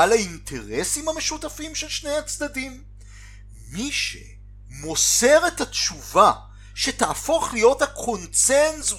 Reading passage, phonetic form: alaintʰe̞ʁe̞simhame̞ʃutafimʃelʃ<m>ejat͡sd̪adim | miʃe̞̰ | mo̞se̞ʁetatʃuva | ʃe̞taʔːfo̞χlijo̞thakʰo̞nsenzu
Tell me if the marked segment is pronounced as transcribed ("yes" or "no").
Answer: no